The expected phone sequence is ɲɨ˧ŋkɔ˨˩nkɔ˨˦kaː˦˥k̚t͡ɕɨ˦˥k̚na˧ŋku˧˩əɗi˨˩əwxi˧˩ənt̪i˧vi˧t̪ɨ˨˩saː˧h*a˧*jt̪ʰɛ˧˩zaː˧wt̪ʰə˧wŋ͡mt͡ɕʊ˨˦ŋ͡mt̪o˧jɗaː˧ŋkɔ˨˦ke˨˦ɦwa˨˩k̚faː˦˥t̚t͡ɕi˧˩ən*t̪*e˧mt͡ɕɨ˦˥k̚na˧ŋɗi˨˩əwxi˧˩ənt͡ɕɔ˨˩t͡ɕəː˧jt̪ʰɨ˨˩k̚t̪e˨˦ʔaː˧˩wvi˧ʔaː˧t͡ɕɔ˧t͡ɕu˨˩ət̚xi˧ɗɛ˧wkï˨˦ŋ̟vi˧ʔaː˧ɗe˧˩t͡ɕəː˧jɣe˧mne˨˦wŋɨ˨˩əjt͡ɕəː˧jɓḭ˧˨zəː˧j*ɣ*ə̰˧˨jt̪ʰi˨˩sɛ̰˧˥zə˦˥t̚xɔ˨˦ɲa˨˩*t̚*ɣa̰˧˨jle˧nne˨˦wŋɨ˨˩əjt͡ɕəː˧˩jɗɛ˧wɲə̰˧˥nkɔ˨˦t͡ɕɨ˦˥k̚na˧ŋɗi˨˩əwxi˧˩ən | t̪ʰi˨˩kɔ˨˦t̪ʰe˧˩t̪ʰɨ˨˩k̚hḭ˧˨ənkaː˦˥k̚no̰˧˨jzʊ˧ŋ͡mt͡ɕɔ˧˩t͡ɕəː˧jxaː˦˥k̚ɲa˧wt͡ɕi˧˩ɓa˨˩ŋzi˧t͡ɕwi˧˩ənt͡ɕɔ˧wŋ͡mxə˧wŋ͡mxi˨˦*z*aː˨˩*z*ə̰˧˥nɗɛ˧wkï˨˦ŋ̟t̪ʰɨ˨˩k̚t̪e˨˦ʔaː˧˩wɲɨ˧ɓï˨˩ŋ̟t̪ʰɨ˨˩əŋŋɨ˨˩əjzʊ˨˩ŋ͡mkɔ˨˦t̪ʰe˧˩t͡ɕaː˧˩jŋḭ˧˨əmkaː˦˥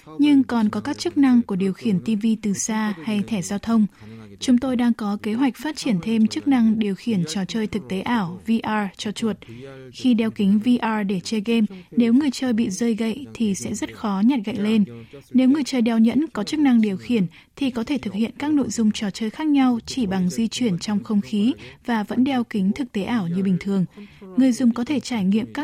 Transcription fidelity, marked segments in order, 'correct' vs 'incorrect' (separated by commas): correct, incorrect, correct, correct, incorrect, incorrect